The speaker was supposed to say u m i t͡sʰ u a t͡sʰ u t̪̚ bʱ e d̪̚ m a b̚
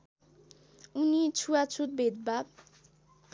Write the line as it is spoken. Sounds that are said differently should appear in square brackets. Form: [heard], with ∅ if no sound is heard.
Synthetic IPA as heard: u [n] i t͡sʰ u a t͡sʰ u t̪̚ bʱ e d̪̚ [b] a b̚